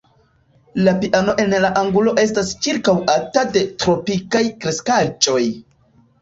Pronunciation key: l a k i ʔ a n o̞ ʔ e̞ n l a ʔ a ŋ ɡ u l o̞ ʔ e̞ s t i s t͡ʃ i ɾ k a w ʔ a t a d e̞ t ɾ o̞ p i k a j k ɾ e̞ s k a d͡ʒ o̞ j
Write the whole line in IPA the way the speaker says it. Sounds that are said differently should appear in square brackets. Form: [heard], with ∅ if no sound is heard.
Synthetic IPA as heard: l a [p] i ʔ a n o̞ ʔ e̞ n l a ʔ a ŋ ɡ u l o̞ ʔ e̞ s t [a] s t͡ʃ i ɾ k a w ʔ a t a d e̞ t ɾ o̞ p i k a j k ɾ e̞ s k a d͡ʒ o̞ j